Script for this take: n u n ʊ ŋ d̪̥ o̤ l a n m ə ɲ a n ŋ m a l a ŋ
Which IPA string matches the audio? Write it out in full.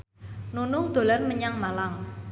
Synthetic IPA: n u n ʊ ŋ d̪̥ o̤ l a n m ə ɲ a ŋ m a l a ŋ